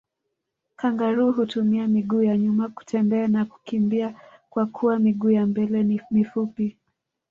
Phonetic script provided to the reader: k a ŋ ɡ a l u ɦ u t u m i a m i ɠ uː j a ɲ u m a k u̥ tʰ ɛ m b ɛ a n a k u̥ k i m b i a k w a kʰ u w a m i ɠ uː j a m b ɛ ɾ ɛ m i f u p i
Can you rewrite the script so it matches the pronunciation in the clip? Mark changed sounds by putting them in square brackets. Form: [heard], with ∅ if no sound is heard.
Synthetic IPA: k a ŋ ɡ a [ɾ] u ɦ u t u m i a m i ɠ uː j a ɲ u m a k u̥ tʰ ɛ m b ɛ a n a k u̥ k i m b i a k w a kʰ u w a m i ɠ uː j a m b ɛ [l] ɛ m i f u p i